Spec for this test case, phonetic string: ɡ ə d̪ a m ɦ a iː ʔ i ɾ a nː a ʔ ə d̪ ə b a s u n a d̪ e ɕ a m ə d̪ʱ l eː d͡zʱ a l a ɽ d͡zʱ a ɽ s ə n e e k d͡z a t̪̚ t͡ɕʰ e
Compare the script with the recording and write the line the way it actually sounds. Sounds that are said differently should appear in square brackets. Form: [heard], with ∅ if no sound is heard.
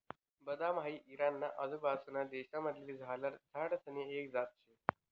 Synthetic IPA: [b] ə d̪ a m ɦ a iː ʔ i ɾ a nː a ʔ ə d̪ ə b a s u n a d̪ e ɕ a m ə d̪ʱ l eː d͡zʱ a l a [ɾ] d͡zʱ a ɽ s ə n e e k d͡z a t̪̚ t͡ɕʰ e